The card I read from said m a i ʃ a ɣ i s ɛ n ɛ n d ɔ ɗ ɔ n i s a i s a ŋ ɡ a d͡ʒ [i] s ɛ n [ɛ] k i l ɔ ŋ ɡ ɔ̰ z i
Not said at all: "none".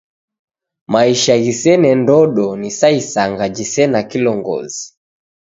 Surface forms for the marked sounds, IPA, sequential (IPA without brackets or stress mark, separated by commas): i, a